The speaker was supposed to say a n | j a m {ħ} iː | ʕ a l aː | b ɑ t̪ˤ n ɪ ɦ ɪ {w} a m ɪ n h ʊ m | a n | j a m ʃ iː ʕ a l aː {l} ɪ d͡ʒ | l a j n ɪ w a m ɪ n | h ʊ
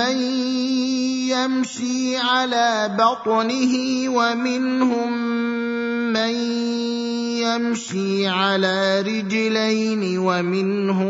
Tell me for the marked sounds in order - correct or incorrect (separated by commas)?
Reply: incorrect, correct, incorrect